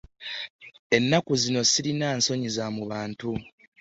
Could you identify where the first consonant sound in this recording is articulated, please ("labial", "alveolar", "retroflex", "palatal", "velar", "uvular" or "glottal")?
alveolar